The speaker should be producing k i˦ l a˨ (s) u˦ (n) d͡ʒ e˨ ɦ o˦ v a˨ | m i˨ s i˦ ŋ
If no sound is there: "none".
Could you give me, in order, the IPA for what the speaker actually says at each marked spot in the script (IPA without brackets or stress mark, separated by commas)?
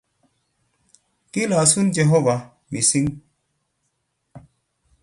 s, n